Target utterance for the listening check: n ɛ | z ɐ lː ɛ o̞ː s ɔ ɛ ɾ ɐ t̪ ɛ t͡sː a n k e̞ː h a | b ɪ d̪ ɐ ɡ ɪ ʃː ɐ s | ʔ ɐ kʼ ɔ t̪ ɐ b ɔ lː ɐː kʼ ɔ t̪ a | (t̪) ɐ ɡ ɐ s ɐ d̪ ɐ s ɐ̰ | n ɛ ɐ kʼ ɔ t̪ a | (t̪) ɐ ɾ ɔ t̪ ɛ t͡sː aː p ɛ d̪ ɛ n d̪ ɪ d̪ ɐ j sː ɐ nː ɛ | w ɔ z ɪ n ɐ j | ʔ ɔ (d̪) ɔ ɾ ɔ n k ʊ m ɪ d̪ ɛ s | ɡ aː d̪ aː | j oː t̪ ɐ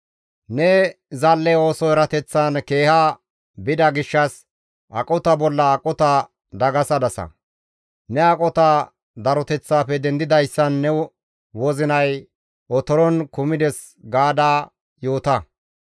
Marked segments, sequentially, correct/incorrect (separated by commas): incorrect, incorrect, incorrect